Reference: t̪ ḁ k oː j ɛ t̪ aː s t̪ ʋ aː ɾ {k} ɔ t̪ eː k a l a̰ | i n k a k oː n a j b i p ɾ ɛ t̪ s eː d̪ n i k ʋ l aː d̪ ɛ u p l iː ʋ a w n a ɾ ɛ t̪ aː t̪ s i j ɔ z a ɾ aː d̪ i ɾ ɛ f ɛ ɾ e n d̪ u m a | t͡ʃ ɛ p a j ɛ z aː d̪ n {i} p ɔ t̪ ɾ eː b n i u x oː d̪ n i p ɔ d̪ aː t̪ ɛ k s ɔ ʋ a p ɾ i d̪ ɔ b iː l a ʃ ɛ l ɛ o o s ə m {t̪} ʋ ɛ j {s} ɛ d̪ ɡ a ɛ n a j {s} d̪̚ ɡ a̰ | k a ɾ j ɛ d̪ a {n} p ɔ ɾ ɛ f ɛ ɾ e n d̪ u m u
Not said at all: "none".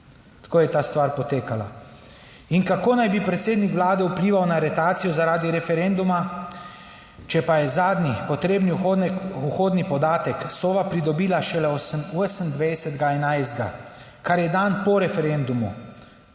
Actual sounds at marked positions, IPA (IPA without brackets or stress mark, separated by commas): p, i, d̪, s, z, n